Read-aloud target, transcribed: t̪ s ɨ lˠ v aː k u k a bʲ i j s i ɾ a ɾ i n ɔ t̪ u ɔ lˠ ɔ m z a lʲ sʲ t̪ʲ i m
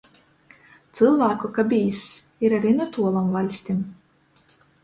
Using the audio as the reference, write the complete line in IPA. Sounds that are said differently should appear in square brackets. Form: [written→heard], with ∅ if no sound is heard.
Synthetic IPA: t̪ s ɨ lˠ v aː k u k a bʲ i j s i ɾ a ɾ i n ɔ t̪ u ɔ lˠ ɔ m [z→v] a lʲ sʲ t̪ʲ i m